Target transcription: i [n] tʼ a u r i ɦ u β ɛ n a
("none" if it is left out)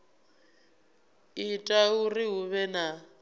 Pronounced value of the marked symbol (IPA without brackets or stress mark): none